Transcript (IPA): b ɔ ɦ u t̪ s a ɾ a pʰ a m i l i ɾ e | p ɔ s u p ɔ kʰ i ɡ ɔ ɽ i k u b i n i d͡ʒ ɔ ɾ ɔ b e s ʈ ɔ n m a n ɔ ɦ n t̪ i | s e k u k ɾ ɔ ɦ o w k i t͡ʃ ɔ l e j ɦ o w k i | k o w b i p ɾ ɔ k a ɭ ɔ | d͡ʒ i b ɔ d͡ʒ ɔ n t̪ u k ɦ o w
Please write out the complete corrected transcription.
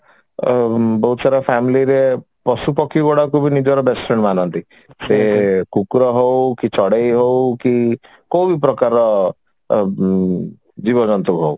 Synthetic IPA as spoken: b ɔ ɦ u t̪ s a ɾ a pʰ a m i l i ɾ e | p ɔ s u p ɔ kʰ i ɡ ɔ ɽ a k u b i n i d͡ʒ ɔ ɾ ɔ b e s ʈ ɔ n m a n ɔ n t̪ i | s e k u k ɾ ɔ ɦ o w k i t͡ʃ ɔ ɽ e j ɦ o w k i | k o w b i p ɾ ɔ k a ɾ ɔ | d͡ʒ i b ɔ d͡ʒ ɔ n t̪ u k ɦ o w